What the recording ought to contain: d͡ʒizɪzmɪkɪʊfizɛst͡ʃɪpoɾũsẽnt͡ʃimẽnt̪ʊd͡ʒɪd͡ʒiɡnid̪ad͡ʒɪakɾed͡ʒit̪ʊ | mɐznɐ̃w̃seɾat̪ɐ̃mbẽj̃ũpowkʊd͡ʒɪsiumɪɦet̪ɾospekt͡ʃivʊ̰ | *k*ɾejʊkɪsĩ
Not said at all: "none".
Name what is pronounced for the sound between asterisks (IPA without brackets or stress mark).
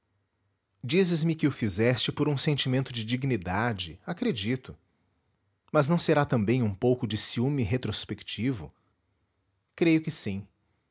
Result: k